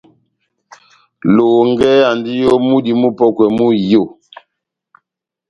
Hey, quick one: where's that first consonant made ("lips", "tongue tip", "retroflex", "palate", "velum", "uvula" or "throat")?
tongue tip